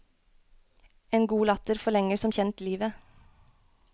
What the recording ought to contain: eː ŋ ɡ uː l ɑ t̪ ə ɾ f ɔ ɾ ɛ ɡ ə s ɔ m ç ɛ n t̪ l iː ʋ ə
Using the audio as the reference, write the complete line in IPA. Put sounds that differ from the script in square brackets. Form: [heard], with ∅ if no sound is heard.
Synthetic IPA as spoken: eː [n] ɡ uː l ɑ t̪ ə ɾ f ɔ [ɭ] ɛ [ŋ] ə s ɔ m ç ɛ n t̪ l iː ʋ ə